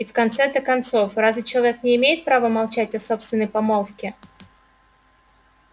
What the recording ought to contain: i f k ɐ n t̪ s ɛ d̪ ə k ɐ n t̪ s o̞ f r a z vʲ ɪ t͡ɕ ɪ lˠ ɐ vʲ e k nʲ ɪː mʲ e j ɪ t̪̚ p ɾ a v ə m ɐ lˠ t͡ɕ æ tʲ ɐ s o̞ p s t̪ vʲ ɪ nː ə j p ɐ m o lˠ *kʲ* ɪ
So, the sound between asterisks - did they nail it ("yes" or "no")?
yes